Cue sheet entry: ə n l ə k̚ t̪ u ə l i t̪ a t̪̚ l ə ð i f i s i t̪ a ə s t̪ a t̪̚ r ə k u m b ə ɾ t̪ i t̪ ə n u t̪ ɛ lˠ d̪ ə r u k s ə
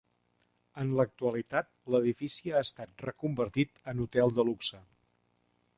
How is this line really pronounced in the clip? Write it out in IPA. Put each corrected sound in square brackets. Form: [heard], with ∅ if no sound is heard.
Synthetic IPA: ə n l ə k̚ t̪ u ə l i t̪ a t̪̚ l ə ð i f i s i [∅] a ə s t̪ a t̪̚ r ə k u m b ə ɾ t̪ i t̪ ə n u t̪ ɛ lˠ d̪ ə [l] u k s ə